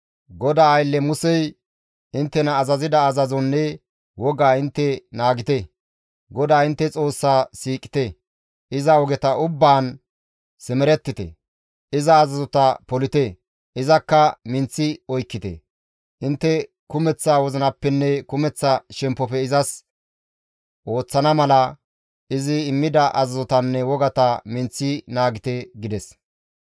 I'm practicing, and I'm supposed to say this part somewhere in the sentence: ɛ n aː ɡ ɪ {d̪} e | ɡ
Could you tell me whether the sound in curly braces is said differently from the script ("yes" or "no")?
yes